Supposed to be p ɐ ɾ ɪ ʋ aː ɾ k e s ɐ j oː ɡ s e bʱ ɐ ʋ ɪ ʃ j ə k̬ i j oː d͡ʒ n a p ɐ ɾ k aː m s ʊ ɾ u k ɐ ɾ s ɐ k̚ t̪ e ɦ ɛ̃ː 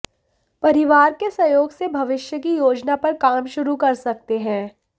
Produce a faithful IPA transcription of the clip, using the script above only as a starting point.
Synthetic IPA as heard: p ɐ ɾ ɪ ʋ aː ɾ k e s ɐ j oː ɡ s e bʱ ɐ ʋ ɪ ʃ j ə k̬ i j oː d͡ʒ n a p ɐ ɾ k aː m ʃ ʊ ɾ u k ɐ ɾ s ɐ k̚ t̪ e ɦ ɛ̃ː